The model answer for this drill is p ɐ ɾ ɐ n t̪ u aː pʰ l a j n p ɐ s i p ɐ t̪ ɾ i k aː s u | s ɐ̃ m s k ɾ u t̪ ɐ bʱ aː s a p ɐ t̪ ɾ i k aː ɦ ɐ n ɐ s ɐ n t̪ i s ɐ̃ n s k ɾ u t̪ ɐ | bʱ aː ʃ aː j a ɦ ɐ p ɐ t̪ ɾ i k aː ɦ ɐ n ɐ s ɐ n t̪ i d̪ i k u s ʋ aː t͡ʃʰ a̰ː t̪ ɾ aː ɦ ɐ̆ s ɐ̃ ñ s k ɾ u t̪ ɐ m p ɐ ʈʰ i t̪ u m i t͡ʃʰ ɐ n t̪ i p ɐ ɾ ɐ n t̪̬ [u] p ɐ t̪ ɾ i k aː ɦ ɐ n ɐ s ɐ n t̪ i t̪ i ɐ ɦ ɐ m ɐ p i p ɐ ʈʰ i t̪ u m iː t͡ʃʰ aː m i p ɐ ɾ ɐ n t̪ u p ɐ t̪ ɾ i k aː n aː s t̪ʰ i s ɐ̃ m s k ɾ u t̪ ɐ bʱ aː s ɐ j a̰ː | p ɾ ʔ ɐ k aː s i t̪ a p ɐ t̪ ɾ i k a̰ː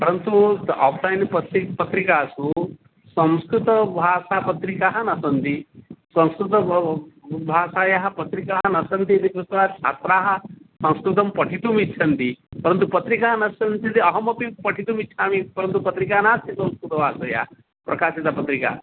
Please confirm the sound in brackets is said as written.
yes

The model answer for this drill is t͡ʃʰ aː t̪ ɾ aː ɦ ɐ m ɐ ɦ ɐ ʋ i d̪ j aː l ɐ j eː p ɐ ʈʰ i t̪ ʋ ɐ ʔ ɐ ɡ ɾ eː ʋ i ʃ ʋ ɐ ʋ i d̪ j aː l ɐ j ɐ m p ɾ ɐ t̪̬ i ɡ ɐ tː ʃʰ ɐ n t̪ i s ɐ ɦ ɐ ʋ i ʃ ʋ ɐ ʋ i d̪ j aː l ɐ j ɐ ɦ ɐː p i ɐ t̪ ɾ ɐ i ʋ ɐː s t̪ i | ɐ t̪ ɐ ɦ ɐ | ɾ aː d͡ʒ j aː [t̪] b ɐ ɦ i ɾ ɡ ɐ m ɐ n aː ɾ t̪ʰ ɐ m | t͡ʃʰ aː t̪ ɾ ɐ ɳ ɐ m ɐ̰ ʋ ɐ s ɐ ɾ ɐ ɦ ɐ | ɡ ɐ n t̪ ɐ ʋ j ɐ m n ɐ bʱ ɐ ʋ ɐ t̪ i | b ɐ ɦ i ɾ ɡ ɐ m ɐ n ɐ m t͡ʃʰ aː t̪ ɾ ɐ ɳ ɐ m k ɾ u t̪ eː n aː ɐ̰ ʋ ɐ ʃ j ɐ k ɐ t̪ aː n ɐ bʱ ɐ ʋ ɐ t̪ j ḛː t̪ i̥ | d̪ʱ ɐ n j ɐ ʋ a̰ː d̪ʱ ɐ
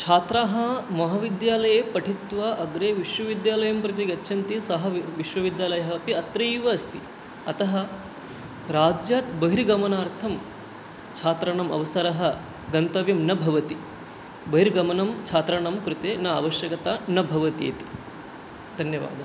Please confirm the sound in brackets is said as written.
yes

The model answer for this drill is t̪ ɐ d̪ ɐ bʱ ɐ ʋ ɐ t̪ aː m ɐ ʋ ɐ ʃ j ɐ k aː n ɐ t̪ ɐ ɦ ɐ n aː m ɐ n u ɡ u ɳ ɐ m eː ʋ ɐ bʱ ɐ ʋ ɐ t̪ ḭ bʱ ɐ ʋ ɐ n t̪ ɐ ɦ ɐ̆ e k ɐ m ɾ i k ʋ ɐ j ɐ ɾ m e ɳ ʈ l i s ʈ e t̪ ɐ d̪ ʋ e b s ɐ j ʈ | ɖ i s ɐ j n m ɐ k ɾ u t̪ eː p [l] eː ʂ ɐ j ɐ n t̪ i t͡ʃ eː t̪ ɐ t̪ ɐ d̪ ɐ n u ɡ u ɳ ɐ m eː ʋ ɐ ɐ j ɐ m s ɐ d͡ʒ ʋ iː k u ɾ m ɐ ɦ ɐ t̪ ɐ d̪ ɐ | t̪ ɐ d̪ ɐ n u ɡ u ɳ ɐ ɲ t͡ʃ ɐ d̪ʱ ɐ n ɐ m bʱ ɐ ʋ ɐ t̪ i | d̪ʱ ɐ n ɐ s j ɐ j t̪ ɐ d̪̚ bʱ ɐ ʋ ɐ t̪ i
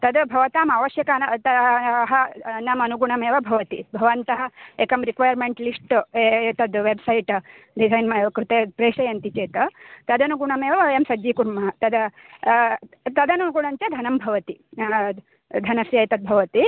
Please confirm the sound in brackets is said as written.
no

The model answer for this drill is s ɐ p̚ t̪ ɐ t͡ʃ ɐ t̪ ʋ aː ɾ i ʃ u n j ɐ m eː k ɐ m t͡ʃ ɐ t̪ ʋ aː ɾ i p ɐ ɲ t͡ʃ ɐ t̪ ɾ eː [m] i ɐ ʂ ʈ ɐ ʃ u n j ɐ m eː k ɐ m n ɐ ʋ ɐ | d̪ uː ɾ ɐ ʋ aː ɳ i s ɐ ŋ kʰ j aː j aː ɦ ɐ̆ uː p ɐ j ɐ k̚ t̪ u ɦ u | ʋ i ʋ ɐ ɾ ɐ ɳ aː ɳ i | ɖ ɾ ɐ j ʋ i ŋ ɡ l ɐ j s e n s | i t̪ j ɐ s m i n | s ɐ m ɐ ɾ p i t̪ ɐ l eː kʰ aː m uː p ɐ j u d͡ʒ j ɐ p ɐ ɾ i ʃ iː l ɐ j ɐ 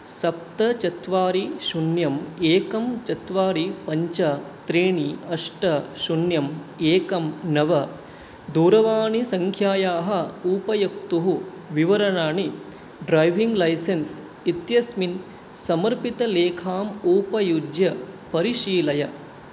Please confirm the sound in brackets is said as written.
no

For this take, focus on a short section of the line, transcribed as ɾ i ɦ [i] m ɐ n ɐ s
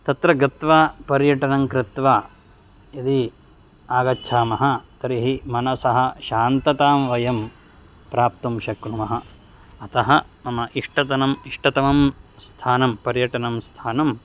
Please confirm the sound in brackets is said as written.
yes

